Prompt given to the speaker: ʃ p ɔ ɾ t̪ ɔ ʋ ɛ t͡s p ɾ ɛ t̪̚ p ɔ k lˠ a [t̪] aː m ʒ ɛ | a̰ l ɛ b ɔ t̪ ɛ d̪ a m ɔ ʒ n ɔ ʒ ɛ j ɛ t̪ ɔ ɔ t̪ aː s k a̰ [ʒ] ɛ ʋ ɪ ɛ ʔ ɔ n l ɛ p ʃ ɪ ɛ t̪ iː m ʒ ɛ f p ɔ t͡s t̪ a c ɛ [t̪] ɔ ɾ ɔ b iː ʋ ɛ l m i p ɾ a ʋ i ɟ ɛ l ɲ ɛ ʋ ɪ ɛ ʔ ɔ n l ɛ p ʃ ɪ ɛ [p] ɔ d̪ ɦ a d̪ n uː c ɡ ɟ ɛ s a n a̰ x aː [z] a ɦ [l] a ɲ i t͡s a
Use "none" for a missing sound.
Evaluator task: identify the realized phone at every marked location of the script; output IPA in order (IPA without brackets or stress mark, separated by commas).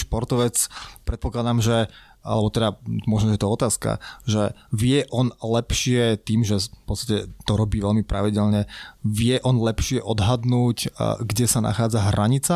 d̪, ʒ, t̪, ʔ, d͡z, ɾ